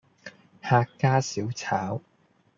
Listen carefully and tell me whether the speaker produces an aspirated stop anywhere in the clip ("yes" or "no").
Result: yes